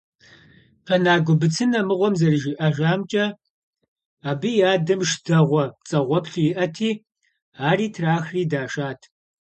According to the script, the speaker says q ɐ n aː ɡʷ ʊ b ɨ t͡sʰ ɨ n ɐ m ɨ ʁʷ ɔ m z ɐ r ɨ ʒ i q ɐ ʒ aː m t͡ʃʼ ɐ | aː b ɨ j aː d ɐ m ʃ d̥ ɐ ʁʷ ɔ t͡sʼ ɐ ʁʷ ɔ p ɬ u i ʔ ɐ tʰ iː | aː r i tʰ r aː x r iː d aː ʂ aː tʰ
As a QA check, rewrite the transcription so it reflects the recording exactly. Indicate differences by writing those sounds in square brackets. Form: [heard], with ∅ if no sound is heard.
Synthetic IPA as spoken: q ɐ n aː ɡʷ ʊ b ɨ t͡sʰ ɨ n ɐ m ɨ ʁʷ ɔ m z ɐ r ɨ ʒ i [ʔ] ɐ ʒ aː m t͡ʃʼ ɐ | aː b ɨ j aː d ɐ m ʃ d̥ ɐ ʁʷ ɔ t͡sʼ ɐ ʁʷ ɔ p ɬ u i ʔ ɐ tʰ iː | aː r [iː] tʰ r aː x r iː d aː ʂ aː tʰ